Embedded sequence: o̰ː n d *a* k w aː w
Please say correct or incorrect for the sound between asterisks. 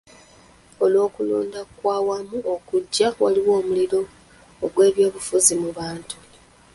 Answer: correct